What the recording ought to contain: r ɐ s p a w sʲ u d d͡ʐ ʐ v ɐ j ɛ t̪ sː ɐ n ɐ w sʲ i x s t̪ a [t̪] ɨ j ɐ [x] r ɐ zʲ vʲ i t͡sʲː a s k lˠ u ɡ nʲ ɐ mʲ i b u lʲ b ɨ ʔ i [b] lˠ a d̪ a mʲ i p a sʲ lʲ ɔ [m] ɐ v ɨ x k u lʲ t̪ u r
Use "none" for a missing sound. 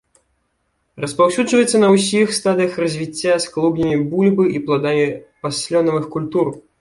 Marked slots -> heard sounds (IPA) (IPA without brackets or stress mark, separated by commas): d̪, x, p, n